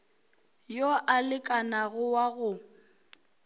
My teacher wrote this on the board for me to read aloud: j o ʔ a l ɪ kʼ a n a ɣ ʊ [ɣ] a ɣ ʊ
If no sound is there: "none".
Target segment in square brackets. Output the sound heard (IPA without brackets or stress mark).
w